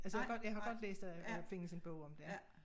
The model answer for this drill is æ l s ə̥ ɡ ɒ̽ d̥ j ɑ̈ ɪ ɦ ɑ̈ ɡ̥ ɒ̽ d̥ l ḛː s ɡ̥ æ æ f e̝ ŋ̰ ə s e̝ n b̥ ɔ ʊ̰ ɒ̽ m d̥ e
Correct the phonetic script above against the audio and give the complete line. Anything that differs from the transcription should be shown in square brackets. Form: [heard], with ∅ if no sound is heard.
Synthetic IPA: æ l s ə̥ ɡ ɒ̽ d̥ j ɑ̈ ɪ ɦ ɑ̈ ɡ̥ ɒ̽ d̥ l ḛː s [d̥] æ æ f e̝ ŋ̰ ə s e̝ n b̥ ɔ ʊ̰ ɒ̽ m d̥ e